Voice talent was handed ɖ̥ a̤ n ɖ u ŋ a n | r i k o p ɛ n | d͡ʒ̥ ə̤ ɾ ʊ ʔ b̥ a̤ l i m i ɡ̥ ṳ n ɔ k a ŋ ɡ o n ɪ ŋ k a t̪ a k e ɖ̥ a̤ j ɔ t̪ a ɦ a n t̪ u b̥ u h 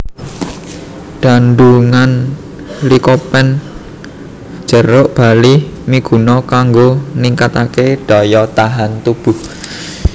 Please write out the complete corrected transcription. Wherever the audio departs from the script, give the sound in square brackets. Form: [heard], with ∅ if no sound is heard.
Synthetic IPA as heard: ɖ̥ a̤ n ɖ u ŋ a n | [l] i k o p ɛ n | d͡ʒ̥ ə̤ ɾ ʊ ʔ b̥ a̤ l i m i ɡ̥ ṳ n ɔ k a ŋ ɡ o n [i] ŋ k a t̪ a k e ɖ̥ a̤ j ɔ t̪ a ɦ a n t̪ u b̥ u h